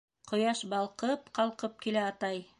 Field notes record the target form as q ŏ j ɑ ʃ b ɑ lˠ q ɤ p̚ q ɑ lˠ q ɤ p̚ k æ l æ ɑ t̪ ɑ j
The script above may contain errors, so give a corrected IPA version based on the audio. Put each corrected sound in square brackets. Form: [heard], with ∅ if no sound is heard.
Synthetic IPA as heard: q ŏ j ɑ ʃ b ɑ lˠ q ɤ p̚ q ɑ lˠ q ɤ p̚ k [i] l æ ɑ t̪ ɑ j